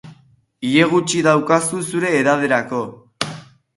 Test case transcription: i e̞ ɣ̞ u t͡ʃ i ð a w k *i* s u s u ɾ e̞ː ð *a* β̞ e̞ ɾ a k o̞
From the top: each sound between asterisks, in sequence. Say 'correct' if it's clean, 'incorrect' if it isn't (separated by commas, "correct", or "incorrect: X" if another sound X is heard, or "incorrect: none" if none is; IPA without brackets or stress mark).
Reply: incorrect: a, correct